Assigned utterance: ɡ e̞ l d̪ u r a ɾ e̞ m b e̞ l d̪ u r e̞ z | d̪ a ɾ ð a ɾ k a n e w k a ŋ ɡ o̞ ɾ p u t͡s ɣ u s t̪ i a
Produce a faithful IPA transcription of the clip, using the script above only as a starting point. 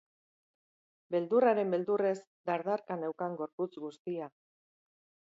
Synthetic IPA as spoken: b e̞ l d̪ u r a ɾ e̞ m b e̞ l d̪ u r e̞ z | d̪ a ɾ ð a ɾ k a n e w k a ŋ ɡ o̞ ɾ p u t͡s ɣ u s t̪ i a